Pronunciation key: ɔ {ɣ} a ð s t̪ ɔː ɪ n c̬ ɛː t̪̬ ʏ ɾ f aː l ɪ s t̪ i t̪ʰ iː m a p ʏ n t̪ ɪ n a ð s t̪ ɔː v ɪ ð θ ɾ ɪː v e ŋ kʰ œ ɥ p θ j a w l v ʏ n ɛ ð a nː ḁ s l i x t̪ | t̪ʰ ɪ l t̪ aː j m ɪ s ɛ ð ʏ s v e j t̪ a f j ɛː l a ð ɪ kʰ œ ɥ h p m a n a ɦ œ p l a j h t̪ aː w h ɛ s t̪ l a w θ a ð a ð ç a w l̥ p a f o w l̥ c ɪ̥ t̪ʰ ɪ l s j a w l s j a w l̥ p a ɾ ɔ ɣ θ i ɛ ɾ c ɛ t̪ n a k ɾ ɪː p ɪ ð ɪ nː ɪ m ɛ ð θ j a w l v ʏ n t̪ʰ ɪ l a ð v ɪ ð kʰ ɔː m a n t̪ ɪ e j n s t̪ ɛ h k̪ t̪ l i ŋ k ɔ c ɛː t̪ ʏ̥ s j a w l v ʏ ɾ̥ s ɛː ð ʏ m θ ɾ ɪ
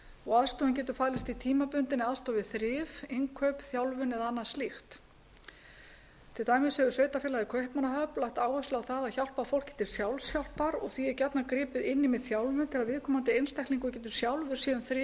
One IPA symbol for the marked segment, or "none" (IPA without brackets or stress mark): ɣ